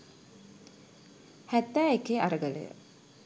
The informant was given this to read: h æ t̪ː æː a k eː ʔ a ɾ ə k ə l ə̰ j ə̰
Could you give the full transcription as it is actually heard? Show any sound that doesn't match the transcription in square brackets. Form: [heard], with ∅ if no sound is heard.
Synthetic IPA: h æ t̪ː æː [e] k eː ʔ a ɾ ə [ɡ] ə l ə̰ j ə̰